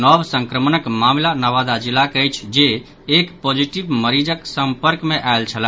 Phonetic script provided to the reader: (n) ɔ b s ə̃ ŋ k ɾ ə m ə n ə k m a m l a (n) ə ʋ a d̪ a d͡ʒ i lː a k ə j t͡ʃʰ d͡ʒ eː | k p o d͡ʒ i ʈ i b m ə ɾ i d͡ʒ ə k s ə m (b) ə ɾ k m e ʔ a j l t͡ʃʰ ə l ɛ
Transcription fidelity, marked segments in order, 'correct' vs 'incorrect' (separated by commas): correct, correct, incorrect